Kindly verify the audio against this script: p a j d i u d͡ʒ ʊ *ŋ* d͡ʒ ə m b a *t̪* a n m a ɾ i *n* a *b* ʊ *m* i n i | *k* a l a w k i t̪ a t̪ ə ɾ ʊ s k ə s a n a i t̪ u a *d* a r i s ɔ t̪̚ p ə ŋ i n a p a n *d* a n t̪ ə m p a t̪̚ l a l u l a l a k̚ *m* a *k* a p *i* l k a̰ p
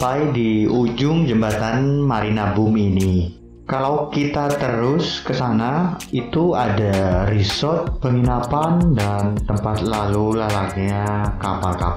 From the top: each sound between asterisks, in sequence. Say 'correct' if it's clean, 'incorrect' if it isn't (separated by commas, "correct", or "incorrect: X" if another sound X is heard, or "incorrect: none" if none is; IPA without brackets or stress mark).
correct, correct, correct, correct, correct, correct, correct, correct, incorrect: ɲ, correct, incorrect: a